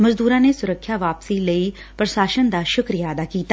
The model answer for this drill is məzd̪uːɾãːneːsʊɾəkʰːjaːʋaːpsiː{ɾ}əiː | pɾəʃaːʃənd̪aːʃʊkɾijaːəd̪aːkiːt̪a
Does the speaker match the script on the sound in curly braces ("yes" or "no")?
no